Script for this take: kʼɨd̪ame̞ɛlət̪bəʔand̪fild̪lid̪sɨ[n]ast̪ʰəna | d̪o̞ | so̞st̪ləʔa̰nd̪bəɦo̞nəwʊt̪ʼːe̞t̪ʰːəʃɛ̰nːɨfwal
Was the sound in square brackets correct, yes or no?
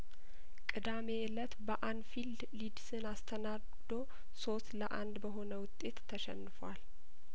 yes